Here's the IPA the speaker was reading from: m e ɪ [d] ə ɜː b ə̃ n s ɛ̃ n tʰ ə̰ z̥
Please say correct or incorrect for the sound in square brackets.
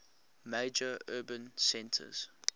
incorrect